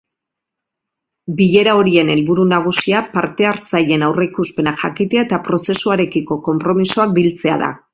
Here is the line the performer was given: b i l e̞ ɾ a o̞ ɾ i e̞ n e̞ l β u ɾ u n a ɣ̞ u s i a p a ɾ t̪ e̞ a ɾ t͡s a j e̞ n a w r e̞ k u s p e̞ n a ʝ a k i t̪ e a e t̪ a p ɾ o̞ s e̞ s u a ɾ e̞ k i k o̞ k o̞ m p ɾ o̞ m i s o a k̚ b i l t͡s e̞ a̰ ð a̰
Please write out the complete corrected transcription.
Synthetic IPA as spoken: b i ʎ e̞ ɾ a o̞ ɾ i e̞ n e̞ l β u ɾ u n a ɣ̞ u s i a p a ɾ t̪ e̞ a ɾ t͡s a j e̞ n a w r e̞ k u s p e̞ n a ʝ a k i t̪ e a e t̪ a p ɾ o̞ s e̞ s u a ɾ e̞ k i k o̞ k o̞ m p ɾ o̞ m i s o a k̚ b i l t͡s e̞ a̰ ð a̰